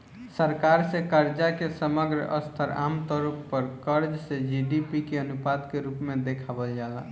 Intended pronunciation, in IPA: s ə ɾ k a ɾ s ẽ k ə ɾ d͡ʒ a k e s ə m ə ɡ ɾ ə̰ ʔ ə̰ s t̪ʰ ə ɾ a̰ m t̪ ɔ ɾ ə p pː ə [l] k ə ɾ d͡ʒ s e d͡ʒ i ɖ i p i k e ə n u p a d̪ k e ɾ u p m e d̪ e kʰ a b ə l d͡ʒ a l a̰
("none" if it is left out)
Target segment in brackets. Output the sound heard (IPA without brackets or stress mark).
ɾ